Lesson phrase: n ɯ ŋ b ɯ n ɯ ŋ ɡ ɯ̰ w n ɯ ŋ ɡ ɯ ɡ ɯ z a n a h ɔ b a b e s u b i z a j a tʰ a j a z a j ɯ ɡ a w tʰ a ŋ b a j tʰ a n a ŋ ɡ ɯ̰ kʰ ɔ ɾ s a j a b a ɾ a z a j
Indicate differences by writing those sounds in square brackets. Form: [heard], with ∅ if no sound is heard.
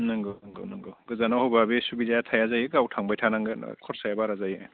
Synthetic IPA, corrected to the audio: n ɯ ŋ [ɡ] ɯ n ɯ ŋ ɡ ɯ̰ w n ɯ ŋ ɡ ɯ ɡ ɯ z a n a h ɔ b a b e s u b i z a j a tʰ a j a z a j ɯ ɡ a w tʰ a ŋ b a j tʰ a n a ŋ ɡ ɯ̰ kʰ ɔ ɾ s a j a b a ɾ a z a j

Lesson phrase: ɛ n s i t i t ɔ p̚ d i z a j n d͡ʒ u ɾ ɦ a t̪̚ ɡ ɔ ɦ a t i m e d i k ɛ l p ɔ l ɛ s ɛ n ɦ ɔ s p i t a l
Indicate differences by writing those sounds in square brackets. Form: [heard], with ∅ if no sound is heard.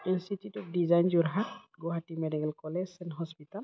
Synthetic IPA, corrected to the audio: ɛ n s i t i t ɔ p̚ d i z a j n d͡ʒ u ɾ ɦ a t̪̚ ɡ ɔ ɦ a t i m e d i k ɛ l [k] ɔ l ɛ s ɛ n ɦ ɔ s p i t a l

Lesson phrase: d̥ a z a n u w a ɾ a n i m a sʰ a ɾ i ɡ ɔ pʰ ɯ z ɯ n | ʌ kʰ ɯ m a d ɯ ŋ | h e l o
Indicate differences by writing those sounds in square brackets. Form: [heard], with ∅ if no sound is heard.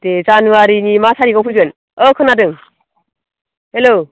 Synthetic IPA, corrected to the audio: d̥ [e] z a n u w a ɾ [i] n i m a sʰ a ɾ i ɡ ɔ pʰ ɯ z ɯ n | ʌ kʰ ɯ [n] a d ɯ ŋ | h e l o

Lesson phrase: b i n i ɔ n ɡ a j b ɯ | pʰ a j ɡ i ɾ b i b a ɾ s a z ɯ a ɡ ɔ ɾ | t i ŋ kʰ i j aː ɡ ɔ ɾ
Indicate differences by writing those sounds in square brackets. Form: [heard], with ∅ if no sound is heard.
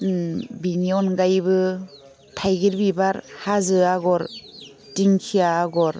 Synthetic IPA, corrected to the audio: b i n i ɔ n ɡ a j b ɯ | [tʰ] a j ɡ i ɾ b i b a ɾ [h] a z ɯ a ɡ ɔ ɾ | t i ŋ kʰ i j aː ɡ ɔ ɾ

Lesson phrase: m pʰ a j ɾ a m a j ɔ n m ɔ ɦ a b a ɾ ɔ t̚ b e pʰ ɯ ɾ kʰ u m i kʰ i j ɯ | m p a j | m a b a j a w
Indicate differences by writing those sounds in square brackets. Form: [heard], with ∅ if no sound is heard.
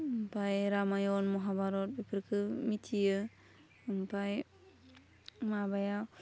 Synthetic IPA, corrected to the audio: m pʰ a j ɾ a m a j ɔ n m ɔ ɦ a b a ɾ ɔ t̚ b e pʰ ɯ ɾ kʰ [ɯ] m i [tʰ] i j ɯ | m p a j | m a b a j a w

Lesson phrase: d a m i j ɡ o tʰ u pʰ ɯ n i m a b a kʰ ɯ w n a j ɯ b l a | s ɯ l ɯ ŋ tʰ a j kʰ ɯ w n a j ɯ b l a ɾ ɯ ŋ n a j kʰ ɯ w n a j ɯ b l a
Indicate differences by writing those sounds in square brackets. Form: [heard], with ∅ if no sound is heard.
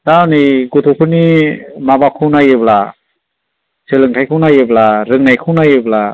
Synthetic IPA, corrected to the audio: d a [n] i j ɡ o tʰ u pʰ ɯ n i m a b a kʰ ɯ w n a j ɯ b l a | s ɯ l ɯ ŋ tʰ a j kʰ ɯ w n a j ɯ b l a ɾ ɯ ŋ n a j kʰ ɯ w n a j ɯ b l a

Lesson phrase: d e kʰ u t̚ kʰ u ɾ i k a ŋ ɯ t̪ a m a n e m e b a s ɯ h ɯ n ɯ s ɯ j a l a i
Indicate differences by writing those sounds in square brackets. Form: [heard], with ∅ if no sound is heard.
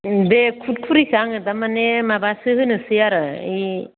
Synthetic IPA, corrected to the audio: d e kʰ u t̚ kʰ u ɾ i k a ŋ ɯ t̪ a m a n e m [a] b a s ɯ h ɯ n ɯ s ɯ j a [ɾ] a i

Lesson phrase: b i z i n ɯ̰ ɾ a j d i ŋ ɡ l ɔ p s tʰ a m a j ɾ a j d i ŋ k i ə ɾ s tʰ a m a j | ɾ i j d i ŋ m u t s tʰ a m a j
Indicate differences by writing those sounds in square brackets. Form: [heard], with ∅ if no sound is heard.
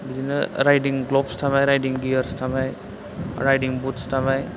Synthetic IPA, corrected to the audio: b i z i n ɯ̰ ɾ a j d i ŋ ɡ l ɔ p s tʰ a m a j ɾ a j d i ŋ [ɡ] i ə ɾ s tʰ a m a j | ɾ [a] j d i ŋ [b] u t s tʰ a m a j

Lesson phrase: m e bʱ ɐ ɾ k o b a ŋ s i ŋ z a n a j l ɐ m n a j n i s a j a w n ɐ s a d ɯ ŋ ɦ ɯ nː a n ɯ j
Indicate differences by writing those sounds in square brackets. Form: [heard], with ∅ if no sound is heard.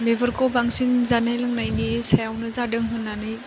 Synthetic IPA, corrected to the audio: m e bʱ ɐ ɾ k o b a ŋ s i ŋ z a n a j l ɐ [ŋ] n a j n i s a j a w n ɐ [z] a d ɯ ŋ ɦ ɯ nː a n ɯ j

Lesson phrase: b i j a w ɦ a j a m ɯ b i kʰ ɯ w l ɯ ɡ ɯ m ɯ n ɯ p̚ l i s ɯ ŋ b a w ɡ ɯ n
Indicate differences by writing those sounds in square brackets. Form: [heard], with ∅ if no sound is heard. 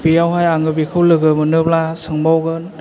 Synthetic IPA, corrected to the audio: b i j a w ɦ a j a [ŋ] ɯ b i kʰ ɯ w l ɯ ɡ ɯ m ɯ n ɯ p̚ l [a] s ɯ ŋ b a w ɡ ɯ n

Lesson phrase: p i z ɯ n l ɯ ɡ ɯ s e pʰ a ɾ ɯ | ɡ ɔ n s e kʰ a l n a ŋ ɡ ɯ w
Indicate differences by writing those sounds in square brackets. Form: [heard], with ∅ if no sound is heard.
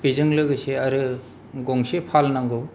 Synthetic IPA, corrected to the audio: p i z ɯ [ŋ] l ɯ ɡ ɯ s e [∅] a ɾ ɯ | ɡ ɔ [ŋ] s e [pʰ] a l n a ŋ ɡ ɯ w

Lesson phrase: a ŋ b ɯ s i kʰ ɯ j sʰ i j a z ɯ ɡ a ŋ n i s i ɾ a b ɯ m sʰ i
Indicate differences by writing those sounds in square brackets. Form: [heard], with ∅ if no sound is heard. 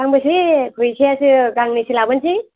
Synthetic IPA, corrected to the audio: a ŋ b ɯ s i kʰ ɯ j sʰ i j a [s] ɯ ɡ a ŋ n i s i [l] a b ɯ [n] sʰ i

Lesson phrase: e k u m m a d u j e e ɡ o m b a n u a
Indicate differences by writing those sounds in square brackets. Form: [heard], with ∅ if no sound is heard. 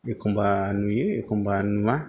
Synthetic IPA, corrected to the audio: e k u m [b] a [n] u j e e [k] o m b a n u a

